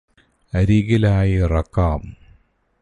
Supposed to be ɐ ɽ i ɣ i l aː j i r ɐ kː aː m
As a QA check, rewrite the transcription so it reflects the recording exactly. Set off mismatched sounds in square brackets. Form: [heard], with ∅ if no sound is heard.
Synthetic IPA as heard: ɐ [ɾ] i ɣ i l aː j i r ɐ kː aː m